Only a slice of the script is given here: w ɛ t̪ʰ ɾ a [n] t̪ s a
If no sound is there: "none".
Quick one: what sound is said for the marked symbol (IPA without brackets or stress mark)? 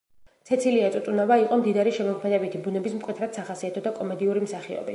none